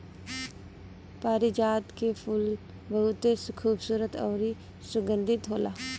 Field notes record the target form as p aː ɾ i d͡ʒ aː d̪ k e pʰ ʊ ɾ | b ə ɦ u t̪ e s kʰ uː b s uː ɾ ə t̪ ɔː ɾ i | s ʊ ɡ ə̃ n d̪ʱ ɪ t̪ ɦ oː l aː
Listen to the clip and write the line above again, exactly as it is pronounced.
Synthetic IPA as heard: p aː ɾ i d͡ʒ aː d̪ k e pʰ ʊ l | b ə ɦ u t̪ e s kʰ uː b s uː ɾ ə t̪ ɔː ɾ i | s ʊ ɡ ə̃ n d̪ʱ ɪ t̪ ɦ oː l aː